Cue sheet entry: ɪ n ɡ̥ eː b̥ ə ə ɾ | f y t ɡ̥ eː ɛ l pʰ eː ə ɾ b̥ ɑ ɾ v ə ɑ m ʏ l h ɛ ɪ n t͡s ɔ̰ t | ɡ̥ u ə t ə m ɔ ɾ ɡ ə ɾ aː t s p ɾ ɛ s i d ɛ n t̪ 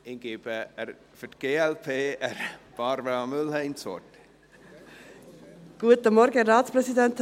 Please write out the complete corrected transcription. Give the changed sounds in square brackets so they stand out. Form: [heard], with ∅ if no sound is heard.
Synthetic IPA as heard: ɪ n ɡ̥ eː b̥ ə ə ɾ | f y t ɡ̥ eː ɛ l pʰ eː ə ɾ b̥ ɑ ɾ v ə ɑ m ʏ l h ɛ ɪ n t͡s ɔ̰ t | ɡ̥ u ə t ə m ɔ ɾ ɡ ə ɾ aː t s p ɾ ɛ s i d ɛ n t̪

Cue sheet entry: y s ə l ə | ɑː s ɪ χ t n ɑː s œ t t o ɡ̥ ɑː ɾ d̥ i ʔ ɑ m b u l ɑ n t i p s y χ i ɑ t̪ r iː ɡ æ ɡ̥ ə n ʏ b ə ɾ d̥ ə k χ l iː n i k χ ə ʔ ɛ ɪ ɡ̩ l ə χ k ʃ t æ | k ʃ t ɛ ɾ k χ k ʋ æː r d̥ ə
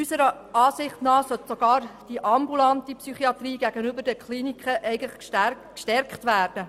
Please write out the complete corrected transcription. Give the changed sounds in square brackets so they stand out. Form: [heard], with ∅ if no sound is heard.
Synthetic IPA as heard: y s ə [ɾ] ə | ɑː s ɪ χ t n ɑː s œ t [s] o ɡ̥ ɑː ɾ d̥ i ʔ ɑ m b u l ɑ n t i p s y χ i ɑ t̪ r iː ɡ æ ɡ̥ ə n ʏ b ə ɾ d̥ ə k χ l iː n i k χ ə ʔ ɛ ɪ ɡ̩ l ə χ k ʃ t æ | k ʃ t ɛ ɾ k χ [t] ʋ æː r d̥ ə

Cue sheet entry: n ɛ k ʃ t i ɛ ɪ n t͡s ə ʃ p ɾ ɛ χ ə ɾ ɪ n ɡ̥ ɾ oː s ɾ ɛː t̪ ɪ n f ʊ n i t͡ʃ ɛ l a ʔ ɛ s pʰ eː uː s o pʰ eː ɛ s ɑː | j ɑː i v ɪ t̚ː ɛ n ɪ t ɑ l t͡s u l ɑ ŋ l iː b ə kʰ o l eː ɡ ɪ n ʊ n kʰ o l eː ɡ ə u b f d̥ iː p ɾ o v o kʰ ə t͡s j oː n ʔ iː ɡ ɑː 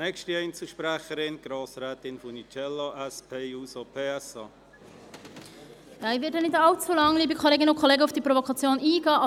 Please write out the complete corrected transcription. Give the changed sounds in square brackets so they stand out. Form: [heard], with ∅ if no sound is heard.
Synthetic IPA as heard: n ɛ k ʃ t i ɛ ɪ n t͡s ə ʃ p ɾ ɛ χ ə ɾ ɪ n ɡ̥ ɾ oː s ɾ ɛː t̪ ɪ n f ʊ n i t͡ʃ ɛ l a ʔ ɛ s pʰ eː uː s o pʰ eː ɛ s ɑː | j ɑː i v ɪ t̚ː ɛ n ɪ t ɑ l t͡s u l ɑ ŋ l iː b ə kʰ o l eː ɡ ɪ n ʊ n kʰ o l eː ɡ ə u [∅] f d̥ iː p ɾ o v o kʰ [ɑ] t͡s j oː n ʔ iː ɡ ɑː

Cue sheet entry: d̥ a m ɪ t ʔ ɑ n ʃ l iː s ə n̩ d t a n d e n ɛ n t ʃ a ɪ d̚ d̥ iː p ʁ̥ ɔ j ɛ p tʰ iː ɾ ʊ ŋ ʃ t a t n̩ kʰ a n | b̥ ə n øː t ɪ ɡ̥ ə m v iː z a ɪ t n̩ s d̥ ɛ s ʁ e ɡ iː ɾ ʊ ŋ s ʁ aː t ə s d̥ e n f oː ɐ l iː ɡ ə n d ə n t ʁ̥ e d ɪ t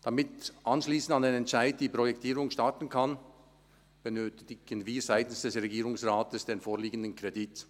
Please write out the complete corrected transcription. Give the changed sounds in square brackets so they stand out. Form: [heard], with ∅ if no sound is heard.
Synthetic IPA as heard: d̥ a m ɪ t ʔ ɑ n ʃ l iː s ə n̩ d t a n d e n ɛ n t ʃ a ɪ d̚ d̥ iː p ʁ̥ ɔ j ɛ [k] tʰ iː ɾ ʊ ŋ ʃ t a t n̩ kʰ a n | b̥ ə n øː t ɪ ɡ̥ ə [n] v iː z a ɪ t n̩ s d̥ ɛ s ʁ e ɡ iː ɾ ʊ ŋ s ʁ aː t ə s d̥ e n f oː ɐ l iː ɡ ə n d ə n [k] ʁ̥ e d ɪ t

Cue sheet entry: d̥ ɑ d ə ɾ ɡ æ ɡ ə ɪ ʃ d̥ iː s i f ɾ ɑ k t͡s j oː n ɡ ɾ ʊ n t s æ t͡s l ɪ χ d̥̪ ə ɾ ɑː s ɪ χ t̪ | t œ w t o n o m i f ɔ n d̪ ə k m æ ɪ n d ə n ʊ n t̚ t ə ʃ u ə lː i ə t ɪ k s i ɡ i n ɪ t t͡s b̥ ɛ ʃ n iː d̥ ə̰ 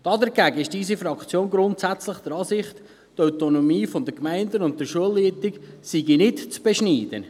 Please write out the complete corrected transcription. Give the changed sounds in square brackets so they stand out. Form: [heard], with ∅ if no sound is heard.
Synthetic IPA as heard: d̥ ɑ d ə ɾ ɡ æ ɡ ə ɪ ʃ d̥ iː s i f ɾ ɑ k t͡s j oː n ɡ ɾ ʊ n t s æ t͡s l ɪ χ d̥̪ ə ɾ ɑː s ɪ χ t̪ | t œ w t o n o m [iː] f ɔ n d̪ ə k m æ ɪ n d ə n ʊ n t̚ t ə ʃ u ə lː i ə t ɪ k s i ɡ i n ɪ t t͡s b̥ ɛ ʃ n iː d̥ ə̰

